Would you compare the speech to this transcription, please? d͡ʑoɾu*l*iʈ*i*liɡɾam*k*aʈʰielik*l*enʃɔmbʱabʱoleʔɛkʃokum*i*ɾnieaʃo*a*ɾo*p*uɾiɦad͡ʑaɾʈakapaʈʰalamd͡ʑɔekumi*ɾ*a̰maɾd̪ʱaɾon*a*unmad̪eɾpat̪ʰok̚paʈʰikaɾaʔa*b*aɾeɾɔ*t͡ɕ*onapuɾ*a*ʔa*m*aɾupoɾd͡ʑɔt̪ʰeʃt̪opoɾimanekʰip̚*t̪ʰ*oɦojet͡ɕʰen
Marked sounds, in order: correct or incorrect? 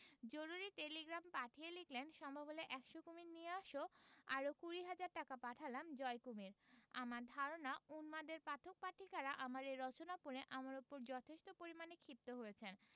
incorrect: ɾ, incorrect: e, incorrect: p, correct, correct, correct, incorrect: k, correct, correct, incorrect: m, correct, incorrect: e, correct, incorrect: t̪

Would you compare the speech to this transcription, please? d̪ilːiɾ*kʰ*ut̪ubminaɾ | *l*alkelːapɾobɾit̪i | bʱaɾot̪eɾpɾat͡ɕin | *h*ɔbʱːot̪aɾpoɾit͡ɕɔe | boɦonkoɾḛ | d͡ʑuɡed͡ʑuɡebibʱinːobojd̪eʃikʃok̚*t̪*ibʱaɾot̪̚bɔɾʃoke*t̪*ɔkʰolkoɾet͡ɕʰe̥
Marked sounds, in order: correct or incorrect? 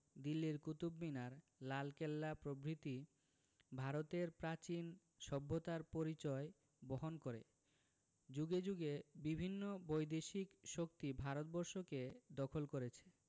incorrect: k, correct, incorrect: ʃ, correct, incorrect: d̪

